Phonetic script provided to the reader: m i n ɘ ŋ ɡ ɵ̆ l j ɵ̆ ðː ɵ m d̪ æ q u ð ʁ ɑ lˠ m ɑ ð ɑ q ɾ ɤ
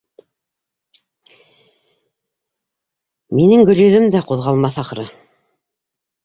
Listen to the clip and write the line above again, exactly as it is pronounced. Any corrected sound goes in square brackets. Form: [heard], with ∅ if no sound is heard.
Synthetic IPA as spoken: m i n ɘ ŋ ɡ ɵ̆ l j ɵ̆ [ð] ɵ m d̪ æ q u ð ʁ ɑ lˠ m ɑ [θ] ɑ q ɾ ɤ